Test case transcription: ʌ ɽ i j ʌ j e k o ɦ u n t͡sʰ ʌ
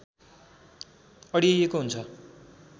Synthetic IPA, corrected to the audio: ʌ ɽ i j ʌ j e k o ɦ u n t͡sʰ ʌ